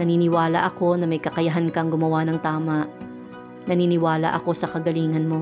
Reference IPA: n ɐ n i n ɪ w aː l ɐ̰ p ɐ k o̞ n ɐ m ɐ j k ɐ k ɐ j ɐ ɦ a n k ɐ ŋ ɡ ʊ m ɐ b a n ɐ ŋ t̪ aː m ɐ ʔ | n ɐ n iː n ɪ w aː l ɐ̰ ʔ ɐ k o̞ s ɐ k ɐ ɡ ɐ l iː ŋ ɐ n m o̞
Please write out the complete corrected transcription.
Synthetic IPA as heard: n ɐ n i n ɪ w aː l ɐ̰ ʔ ɐ k o̞ n ɐ m ɐ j k ɐ k ɐ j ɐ ɦ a n k ɐ ŋ ɡ ʊ m ɐ w a n ɐ ŋ t̪ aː m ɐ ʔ | n ɐ n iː n ɪ w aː l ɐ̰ ʔ ɐ k o̞ s ɐ k ɐ ɡ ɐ l iː ŋ ɐ n m o̞